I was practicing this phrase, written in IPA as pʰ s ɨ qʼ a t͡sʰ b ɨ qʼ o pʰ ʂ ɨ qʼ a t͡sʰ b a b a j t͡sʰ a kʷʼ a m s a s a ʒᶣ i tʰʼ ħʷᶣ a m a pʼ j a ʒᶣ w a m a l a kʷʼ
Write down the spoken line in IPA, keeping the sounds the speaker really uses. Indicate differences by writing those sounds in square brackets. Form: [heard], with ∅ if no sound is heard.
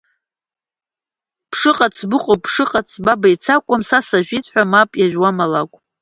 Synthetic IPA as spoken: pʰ [ʂ] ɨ qʼ a t͡sʰ b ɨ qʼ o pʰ ʂ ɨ qʼ a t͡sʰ b a b a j t͡sʰ a kʷʼ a m s a s a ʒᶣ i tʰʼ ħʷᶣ a m a pʼ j a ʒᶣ w a m a l a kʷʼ